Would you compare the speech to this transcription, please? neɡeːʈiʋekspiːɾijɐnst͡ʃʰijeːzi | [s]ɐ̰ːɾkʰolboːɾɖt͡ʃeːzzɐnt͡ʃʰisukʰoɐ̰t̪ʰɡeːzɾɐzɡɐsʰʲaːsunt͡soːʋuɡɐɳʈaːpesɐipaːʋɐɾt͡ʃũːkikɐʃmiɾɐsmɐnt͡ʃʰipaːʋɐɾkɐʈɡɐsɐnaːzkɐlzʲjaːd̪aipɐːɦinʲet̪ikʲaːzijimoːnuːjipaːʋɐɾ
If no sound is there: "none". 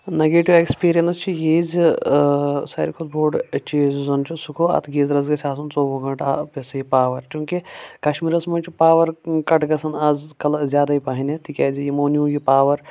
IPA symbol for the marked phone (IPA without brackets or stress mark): s